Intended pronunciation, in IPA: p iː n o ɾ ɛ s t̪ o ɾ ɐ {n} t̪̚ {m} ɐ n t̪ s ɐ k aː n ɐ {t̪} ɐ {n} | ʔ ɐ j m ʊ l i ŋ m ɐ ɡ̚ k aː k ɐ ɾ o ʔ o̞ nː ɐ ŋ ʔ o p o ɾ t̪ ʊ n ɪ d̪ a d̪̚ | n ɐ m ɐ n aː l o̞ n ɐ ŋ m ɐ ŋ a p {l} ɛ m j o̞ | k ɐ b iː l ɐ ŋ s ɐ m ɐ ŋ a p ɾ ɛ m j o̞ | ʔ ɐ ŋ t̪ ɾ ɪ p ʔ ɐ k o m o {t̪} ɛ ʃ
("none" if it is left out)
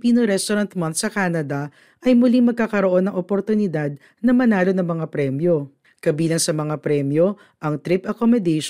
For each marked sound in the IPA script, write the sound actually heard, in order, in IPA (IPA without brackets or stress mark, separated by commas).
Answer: n, m, d̪, none, ɾ, d̪